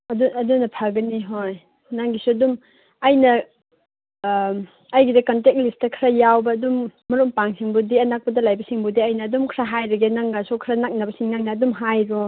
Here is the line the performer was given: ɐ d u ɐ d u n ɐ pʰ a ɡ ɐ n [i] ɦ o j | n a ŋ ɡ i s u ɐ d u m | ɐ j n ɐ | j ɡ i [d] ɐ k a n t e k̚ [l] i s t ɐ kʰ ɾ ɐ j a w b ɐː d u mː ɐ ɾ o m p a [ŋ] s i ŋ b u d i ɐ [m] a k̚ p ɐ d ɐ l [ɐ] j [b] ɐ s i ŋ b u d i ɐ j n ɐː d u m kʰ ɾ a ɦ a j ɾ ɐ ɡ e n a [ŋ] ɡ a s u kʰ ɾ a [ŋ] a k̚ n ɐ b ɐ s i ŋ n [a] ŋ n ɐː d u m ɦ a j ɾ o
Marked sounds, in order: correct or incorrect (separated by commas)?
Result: correct, correct, correct, correct, incorrect, incorrect, correct, correct, incorrect, correct